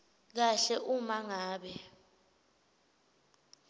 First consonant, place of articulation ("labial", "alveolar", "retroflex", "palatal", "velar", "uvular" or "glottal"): velar